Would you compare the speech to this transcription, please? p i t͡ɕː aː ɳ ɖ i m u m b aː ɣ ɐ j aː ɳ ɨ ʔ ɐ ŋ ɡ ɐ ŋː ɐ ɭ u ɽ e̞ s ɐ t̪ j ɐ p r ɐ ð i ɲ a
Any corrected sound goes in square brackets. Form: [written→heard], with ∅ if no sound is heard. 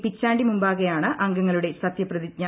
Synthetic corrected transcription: p i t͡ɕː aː ɳ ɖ i m u m b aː ɣ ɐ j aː ɳ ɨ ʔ ɐ ŋ ɡ ɐ ŋː ɐ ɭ u ɽ e̞ s ɐ t̪ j ɐ p r ɐ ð i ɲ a